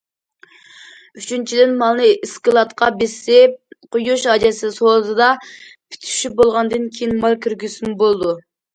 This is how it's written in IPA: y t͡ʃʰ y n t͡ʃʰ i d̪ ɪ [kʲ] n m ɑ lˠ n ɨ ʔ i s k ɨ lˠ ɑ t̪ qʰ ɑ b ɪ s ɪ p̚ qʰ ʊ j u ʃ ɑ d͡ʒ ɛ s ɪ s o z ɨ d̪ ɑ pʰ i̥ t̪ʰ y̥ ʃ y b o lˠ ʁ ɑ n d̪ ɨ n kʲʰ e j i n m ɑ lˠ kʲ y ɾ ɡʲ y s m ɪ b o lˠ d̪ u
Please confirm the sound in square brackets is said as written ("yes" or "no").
no